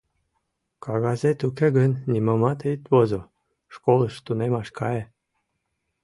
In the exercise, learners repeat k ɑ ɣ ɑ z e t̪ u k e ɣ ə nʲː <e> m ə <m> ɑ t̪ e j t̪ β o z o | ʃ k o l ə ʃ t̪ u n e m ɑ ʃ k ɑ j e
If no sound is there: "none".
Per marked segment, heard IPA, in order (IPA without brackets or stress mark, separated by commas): i, m